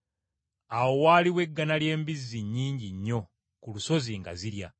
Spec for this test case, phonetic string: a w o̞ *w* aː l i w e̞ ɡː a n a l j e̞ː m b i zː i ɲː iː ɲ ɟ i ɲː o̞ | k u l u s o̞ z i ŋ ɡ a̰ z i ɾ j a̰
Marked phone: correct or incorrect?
correct